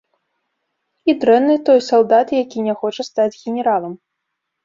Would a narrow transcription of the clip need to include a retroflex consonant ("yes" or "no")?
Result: yes